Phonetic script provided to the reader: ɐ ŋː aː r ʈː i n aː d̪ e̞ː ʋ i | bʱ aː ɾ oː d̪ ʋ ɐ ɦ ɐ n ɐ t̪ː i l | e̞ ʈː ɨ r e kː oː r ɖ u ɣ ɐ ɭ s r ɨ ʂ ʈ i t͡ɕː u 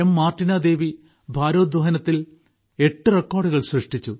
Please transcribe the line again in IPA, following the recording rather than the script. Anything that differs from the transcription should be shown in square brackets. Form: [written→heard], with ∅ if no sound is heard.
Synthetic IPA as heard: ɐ [ŋː→mː] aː r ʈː i n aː d̪ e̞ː ʋ i | bʱ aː ɾ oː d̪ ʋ ɐ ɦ ɐ n ɐ t̪ː i l | e̞ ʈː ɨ r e kː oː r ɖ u ɣ ɐ ɭ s r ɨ ʂ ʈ i t͡ɕː u